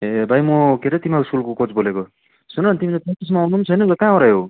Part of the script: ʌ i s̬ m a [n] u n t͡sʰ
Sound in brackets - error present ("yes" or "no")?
no